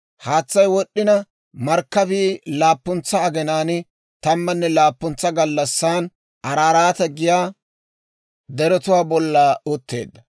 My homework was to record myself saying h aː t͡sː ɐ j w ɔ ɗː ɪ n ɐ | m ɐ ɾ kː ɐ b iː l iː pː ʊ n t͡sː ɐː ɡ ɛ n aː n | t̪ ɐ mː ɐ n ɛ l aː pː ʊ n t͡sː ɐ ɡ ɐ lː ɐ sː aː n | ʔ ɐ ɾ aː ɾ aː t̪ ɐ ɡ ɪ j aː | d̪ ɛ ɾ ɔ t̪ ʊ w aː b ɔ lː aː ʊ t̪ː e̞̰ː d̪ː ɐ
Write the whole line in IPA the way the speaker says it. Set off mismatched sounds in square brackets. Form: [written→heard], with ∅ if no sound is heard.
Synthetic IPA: h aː t͡sː ɐ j w ɔ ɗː ɪ n ɐ | m ɐ ɾ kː ɐ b iː l [iː→aː] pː ʊ n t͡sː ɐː ɡ ɛ n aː n | t̪ ɐ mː ɐ [n→nː] ɛ l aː pː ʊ n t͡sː ɐ ɡ ɐ lː ɐ sː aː n | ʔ ɐ ɾ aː ɾ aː t̪ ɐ ɡ ɪ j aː | d̪ ɛ ɾ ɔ t̪ ʊ w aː b ɔ lː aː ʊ t̪ː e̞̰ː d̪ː ɐ